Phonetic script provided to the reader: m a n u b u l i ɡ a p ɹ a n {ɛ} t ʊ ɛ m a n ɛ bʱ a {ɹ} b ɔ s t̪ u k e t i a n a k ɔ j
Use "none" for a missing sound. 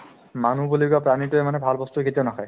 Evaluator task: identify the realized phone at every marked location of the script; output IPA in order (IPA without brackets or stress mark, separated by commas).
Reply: i, l